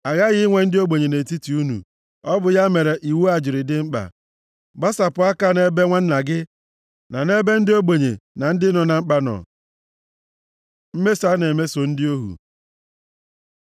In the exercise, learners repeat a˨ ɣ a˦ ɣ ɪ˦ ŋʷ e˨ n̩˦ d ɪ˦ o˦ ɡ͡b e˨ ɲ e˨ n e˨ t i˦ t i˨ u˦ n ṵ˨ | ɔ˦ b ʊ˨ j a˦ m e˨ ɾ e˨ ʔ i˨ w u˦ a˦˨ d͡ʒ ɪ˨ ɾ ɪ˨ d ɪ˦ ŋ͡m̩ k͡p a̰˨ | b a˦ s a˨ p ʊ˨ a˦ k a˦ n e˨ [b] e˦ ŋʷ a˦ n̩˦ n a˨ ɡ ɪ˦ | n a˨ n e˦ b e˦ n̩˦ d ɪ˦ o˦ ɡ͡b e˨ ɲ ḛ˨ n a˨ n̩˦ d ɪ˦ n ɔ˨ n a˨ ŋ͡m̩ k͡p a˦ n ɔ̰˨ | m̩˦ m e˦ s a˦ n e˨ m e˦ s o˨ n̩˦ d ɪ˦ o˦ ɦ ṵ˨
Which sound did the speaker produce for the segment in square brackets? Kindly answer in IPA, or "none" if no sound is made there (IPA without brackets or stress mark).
b